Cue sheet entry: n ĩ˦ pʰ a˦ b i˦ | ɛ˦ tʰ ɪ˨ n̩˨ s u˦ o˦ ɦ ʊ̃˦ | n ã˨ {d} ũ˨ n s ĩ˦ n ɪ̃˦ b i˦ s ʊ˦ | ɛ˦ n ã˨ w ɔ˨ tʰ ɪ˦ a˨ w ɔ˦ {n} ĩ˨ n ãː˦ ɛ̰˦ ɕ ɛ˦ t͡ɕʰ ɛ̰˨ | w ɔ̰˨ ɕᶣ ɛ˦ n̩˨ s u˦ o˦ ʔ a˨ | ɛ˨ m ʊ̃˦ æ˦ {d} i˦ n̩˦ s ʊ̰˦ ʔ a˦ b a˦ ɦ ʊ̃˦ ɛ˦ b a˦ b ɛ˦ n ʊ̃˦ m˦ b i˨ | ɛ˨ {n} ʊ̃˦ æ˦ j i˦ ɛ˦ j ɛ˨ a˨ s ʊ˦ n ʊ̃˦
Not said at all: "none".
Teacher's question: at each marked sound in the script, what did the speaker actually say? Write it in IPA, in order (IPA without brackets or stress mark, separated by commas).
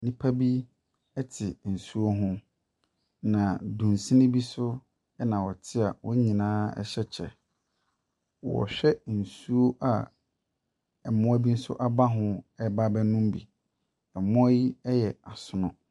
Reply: d, ɲ, b, m